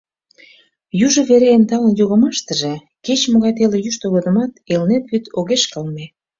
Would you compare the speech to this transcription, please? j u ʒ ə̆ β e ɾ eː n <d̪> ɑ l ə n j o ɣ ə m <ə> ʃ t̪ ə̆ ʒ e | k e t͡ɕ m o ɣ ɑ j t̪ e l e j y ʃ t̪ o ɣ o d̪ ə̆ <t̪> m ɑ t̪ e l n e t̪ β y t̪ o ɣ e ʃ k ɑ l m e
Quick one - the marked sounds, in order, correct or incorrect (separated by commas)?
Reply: incorrect, incorrect, incorrect